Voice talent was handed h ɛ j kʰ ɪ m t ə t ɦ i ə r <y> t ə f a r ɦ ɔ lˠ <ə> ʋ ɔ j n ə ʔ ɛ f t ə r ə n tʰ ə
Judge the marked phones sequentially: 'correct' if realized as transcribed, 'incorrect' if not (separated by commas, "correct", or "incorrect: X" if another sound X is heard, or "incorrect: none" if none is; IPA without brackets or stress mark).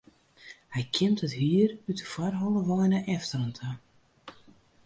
correct, correct